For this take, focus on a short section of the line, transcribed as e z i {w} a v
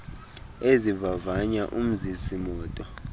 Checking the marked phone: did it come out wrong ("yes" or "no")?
yes